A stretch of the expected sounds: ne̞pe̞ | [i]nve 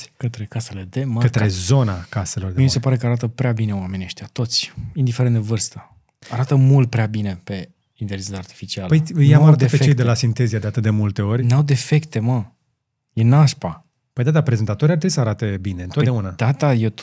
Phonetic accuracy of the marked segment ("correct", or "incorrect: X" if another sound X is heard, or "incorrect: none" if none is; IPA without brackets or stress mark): correct